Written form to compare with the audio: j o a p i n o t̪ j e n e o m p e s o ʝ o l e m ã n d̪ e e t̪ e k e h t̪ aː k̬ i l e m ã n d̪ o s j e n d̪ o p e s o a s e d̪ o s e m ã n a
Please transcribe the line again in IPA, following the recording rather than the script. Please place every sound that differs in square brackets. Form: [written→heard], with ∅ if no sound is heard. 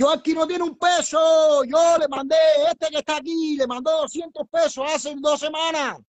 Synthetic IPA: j o a [p→k] i n o t̪ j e n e [o→u] m p e s o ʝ o l e m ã n d̪ e e t̪ e k e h t̪ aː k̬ i l e m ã n d̪ o s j e n [d̪→t̪] o p e s o a s e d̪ o s e m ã n a